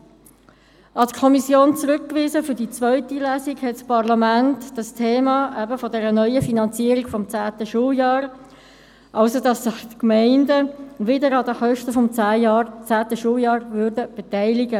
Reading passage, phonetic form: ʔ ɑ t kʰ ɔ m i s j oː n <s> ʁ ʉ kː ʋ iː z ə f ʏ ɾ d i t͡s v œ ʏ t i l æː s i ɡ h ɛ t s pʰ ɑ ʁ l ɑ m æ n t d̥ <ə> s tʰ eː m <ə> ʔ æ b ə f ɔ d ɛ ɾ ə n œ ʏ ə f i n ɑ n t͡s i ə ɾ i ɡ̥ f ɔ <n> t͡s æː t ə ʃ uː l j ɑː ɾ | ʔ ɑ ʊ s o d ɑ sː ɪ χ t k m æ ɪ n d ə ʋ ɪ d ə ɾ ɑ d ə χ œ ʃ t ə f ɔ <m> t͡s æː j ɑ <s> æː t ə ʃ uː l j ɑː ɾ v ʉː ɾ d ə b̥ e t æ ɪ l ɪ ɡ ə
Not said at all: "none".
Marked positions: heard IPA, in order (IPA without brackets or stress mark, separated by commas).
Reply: t͡s, ɑ, ɑ, m, m, t͡s